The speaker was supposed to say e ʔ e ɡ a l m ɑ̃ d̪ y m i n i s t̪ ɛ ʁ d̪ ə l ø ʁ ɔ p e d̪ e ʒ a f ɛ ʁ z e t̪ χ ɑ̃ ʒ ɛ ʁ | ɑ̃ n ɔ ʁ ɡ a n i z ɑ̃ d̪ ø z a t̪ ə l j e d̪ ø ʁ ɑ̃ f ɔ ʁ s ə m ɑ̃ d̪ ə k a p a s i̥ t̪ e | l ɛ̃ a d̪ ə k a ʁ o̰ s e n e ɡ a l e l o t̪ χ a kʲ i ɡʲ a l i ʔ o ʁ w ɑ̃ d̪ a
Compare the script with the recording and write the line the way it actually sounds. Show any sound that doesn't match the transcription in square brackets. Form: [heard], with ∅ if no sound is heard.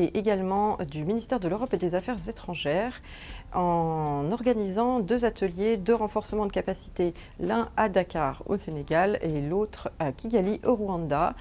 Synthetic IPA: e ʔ e ɡ a l m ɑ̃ d̪ y m i n i s t̪ ɛ ʁ d̪ ə l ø ʁ ɔ p e d̪ e [z] a f ɛ ʁ z e t̪ χ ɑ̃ ʒ ɛ ʁ | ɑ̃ n ɔ ʁ ɡ a n i z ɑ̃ d̪ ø z a t̪ ə l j e d̪ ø ʁ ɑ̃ f ɔ ʁ s ə m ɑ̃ d̪ ə k a p a s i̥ t̪ e | l ɛ̃ a d̪ [a] k a ʁ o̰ s e n e ɡ a l e l o t̪ χ a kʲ i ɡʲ a l i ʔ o ʁ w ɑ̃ d̪ a